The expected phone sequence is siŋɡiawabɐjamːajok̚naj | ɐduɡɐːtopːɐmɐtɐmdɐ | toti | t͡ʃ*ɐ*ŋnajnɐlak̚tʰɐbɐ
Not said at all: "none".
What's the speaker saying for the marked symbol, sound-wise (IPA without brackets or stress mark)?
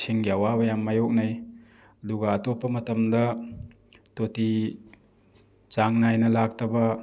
a